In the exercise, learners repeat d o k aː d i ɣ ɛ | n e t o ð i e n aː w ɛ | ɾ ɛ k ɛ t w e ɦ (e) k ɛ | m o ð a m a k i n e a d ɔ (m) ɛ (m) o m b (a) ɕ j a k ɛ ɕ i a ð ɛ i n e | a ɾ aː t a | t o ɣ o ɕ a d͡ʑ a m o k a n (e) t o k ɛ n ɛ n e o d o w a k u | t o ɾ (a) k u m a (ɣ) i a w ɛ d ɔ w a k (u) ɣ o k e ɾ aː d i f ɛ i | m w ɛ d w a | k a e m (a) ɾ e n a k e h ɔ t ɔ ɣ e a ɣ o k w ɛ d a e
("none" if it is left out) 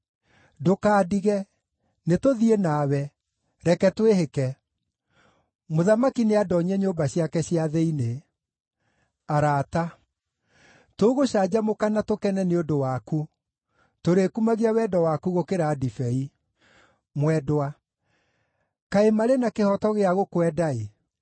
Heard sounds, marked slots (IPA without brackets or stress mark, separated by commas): e, ɲ, ɲ, a, a, e, ɣ, u, a